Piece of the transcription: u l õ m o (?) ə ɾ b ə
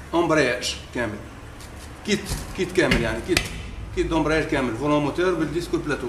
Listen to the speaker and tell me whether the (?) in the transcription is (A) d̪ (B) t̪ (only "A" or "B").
B